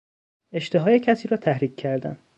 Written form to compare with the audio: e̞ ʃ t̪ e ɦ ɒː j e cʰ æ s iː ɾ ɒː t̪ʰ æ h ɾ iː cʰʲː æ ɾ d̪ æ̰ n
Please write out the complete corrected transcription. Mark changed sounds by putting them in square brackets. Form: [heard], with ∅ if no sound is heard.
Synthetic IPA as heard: e̞ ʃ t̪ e ɦ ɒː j e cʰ æ s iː ɾ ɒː t̪ʰ æ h ɾ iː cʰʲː æ ɾ d̪ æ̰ n